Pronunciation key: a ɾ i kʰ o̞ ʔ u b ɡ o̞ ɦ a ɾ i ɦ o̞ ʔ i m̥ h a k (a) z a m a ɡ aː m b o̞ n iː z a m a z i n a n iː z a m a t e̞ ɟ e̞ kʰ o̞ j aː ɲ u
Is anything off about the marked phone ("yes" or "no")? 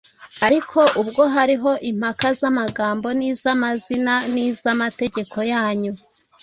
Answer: no